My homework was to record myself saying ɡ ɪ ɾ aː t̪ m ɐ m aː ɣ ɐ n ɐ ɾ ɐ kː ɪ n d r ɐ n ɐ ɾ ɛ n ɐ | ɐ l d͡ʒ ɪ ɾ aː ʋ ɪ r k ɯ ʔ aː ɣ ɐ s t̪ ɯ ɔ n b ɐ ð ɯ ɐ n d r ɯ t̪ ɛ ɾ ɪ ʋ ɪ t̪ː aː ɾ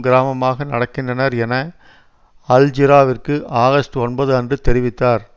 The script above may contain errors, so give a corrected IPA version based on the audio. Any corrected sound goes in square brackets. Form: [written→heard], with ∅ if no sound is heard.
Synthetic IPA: ɡ ɪ ɾ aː [t̪→∅] m ɐ m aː ɣ ɐ n ɐ [ɾ→ɽ] ɐ kː ɪ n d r ɐ n ɐ ɾ ɛ n ɐ | ɐ l d͡ʒ ɪ ɾ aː ʋ ɪ r k ɯ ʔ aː ɣ ɐ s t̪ ɯ ɔ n b ɐ ð ɯ ɐ n d r ɯ t̪ ɛ ɾ ɪ ʋ ɪ t̪ː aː ɾ